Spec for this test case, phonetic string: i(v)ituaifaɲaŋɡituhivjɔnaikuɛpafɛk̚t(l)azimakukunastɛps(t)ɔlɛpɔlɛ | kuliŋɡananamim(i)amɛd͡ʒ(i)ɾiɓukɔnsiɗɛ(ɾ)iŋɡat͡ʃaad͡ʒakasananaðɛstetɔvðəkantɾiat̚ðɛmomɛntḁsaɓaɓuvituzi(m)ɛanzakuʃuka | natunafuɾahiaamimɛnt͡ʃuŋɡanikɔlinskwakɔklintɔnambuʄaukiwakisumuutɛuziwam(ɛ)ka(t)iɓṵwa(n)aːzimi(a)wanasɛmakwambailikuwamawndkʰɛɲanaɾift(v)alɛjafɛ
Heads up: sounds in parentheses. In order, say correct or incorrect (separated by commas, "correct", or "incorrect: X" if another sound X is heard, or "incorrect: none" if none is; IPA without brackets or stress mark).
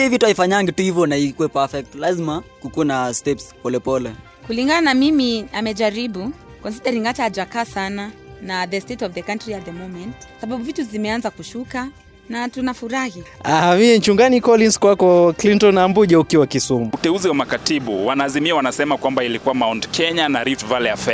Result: correct, correct, incorrect: p, correct, incorrect: a, correct, correct, incorrect: a, correct, correct, correct, correct